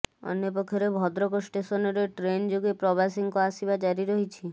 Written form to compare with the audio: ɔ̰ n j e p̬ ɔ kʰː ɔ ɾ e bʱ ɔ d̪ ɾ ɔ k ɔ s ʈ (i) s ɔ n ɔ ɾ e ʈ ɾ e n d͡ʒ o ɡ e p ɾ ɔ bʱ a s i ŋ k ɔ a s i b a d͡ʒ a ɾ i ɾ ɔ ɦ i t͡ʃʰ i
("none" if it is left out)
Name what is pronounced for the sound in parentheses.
e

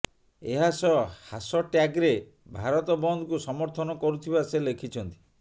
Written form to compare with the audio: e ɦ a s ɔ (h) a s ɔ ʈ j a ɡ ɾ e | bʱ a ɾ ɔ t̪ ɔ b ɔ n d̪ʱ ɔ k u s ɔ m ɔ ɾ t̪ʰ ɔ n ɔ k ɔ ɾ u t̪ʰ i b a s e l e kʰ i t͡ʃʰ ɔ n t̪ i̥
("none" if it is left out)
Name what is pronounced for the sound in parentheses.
h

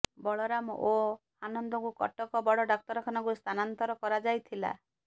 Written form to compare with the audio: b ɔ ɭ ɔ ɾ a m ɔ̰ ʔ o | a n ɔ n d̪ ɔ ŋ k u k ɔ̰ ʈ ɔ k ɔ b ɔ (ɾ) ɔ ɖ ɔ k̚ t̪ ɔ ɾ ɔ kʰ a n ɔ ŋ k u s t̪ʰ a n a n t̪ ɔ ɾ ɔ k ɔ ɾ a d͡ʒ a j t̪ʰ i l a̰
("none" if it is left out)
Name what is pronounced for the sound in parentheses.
ɽ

